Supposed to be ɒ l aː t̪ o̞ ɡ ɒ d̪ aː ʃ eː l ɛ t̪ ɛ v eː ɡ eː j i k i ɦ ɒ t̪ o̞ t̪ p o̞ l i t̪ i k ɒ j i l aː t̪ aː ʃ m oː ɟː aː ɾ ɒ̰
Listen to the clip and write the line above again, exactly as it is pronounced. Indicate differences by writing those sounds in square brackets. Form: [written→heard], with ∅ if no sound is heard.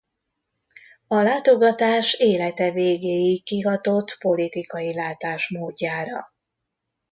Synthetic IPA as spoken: ɒ l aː t̪ o̞ ɡ ɒ [d̪→t̪] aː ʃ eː l ɛ t̪ ɛ v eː ɡ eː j i k i ɦ ɒ t̪ o̞ t̪ p o̞ l i t̪ i k ɒ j i l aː t̪ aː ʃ m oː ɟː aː ɾ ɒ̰